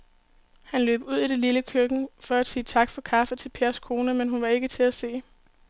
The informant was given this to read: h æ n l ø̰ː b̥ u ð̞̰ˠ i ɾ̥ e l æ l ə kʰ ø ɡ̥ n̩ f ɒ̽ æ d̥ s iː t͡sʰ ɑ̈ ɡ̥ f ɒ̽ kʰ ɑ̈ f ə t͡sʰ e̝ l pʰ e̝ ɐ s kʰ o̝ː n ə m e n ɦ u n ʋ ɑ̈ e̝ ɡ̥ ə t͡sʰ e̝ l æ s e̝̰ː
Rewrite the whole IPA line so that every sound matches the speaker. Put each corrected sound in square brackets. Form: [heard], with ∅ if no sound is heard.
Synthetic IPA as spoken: h æ n l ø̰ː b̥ u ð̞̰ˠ i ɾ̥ e l [i] l ə kʰ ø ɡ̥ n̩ f ɒ̽ æ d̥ s iː t͡sʰ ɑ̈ ɡ̥ f ɒ̽ kʰ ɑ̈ f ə t͡sʰ e̝ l pʰ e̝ ɐ s kʰ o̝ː n ə m e n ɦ u n ʋ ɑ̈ e̝ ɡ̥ ə t͡sʰ e̝ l æ s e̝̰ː